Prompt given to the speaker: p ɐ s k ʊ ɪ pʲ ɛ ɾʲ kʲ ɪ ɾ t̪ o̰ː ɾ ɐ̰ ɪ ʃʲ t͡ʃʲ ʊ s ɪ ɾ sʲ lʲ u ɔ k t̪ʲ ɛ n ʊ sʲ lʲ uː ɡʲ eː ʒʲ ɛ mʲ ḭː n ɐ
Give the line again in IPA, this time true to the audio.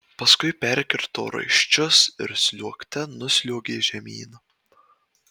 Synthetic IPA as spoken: p ɐ s k ʊ ɪ pʲ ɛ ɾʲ kʲ ɪ ɾ t̪ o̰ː ɾ ɐ̰ ɪ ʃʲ t͡ʃʲ ʊ s ɪ ɾ sʲ lʲ u ɔ k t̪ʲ ɛ n ʊ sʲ lʲ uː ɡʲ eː ʒʲ ɛ mʲ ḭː n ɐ